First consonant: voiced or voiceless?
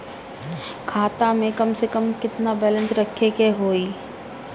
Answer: voiceless